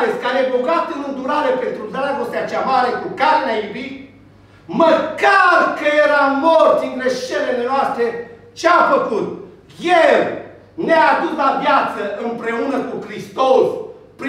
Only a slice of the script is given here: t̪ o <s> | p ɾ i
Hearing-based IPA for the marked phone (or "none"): s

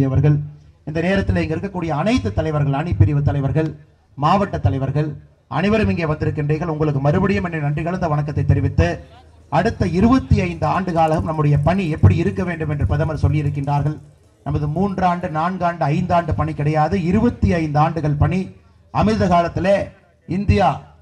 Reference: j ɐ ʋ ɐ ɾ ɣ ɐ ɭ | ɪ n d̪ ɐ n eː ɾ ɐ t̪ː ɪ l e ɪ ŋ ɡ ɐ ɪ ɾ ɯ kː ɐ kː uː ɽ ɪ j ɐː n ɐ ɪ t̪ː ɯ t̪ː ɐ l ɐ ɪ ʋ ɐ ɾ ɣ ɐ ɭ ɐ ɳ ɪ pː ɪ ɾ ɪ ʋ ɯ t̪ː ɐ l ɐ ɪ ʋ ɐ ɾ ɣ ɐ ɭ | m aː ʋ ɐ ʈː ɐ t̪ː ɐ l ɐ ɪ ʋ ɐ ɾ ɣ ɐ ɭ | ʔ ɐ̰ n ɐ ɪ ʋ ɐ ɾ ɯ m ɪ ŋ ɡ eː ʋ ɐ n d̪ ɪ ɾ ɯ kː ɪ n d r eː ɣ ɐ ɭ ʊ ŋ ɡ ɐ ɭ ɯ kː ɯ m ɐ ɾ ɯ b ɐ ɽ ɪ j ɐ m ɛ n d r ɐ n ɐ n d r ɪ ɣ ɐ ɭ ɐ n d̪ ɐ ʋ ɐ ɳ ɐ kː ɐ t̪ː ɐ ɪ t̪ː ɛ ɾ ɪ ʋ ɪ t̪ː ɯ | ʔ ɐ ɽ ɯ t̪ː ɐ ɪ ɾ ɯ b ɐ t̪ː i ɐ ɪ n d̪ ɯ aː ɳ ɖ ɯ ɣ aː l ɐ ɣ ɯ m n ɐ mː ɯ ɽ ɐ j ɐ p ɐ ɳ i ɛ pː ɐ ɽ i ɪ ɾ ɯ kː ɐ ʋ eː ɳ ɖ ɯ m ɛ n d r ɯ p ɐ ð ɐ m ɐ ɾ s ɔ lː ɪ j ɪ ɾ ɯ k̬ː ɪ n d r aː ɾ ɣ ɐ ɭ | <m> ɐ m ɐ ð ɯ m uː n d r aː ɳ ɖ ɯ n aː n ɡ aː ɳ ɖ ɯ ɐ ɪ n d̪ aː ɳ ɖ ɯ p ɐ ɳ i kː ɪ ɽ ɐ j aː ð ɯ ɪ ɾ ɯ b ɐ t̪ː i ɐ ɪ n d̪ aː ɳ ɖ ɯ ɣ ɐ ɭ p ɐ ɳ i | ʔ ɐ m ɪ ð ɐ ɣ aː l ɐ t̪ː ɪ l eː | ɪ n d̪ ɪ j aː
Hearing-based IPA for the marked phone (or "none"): n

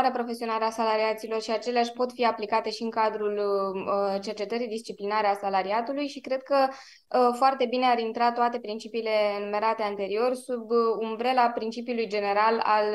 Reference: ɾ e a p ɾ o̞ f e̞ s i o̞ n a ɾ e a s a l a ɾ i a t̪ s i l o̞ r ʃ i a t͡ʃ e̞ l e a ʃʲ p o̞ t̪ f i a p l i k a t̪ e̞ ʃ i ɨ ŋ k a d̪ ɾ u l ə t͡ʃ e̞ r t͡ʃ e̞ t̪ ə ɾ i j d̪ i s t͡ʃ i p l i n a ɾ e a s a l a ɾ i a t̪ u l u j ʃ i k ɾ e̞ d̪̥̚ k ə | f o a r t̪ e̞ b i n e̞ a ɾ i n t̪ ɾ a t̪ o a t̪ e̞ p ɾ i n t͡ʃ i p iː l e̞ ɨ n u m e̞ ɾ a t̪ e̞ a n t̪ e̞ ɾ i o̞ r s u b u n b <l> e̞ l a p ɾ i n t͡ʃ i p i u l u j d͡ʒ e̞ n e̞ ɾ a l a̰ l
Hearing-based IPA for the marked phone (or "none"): ɾ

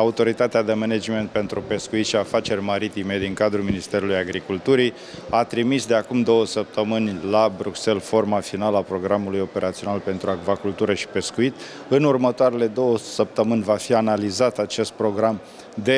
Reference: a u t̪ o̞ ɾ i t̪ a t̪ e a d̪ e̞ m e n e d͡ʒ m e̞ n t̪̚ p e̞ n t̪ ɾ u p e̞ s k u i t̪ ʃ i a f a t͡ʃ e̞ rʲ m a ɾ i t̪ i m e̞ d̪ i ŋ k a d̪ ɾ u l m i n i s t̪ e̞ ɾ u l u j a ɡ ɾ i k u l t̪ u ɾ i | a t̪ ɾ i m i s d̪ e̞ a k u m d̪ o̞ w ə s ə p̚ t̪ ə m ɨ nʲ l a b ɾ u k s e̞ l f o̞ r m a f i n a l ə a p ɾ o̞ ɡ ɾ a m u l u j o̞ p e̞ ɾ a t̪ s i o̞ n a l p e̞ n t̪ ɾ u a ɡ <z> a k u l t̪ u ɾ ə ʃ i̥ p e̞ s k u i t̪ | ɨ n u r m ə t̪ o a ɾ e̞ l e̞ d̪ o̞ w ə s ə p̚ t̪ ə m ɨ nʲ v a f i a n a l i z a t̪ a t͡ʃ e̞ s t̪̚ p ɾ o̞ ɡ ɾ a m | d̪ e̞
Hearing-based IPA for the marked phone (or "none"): v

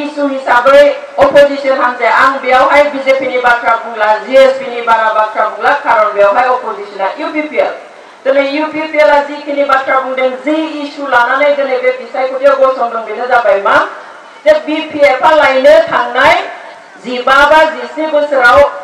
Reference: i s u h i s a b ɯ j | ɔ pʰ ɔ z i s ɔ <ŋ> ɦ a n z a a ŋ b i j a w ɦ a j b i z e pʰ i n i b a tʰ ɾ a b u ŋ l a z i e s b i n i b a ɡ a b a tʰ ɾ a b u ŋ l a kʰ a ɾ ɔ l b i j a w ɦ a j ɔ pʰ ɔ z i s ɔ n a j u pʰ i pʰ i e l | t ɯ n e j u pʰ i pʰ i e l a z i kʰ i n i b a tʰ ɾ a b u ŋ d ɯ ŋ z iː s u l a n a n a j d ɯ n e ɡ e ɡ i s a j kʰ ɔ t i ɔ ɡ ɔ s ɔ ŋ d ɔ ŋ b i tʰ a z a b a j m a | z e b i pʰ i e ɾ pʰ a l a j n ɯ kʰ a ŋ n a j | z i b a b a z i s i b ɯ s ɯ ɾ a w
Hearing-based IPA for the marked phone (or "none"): n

